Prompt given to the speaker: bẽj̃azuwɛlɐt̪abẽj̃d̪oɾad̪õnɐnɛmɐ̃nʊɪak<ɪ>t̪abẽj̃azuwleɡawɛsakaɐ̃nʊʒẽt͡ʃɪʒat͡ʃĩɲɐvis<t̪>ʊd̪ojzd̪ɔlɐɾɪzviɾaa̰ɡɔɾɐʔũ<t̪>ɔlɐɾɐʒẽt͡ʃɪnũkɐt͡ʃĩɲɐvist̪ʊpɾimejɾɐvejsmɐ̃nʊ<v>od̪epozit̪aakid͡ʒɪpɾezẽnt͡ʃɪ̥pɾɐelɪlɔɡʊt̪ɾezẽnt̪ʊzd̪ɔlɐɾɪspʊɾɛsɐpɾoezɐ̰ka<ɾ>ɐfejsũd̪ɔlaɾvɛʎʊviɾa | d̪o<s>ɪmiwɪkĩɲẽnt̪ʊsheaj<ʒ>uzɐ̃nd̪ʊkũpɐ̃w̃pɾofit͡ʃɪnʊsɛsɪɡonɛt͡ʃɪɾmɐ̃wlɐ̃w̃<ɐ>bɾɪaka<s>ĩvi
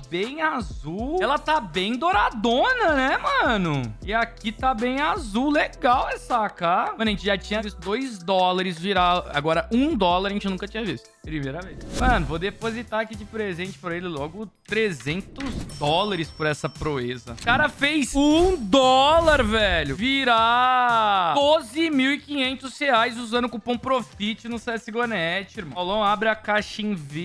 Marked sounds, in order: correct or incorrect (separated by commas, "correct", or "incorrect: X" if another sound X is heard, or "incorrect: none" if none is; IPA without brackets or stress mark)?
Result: incorrect: i, correct, incorrect: d̪, correct, correct, incorrect: z, incorrect: z, incorrect: a, incorrect: ʃ